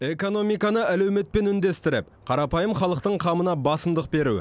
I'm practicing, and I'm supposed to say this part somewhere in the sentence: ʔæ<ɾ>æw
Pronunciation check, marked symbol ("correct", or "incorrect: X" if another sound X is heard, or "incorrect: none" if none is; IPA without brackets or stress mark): incorrect: l